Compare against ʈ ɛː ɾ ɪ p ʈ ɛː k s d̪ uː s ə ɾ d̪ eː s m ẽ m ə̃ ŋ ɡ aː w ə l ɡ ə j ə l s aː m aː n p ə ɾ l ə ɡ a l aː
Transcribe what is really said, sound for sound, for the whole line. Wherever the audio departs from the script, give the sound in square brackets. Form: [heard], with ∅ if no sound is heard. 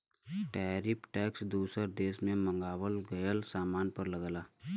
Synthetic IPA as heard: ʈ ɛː ɾ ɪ p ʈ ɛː k s d̪ uː s ə ɾ d̪ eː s m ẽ m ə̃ ŋ ɡ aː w ə l ɡ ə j ə l s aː m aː n p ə ɾ l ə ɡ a l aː